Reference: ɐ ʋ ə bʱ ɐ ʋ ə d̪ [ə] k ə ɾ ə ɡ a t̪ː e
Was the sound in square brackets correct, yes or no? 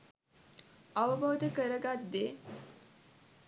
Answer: yes